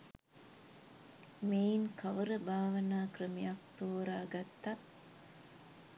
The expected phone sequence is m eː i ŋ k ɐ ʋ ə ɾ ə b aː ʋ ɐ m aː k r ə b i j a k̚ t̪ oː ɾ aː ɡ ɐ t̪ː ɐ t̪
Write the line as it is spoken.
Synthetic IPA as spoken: m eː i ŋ k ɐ ʋ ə ɾ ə b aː ʋ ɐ n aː k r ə m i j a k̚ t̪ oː ɾ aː ɡ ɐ t̪ː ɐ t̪